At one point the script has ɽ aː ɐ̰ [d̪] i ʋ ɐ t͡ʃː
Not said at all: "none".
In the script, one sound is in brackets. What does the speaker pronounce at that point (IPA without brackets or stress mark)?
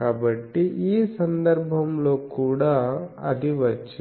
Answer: d̪